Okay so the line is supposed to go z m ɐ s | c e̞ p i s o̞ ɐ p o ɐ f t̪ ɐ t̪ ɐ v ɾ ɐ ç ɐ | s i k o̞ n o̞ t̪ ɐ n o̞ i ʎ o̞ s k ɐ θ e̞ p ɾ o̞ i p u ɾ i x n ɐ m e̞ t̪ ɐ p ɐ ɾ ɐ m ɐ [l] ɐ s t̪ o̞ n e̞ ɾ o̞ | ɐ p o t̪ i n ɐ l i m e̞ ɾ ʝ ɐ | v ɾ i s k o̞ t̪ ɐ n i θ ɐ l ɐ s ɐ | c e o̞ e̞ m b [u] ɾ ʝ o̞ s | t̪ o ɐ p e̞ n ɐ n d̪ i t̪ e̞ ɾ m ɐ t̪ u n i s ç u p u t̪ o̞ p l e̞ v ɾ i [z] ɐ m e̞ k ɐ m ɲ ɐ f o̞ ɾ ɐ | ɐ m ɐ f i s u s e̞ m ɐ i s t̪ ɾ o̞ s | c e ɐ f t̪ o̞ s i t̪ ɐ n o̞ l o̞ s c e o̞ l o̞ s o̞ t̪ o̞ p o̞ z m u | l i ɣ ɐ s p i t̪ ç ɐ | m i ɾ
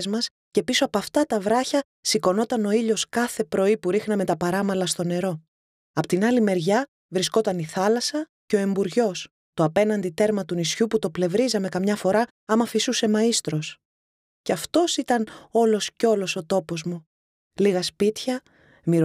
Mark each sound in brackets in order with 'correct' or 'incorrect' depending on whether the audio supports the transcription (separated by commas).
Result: correct, correct, correct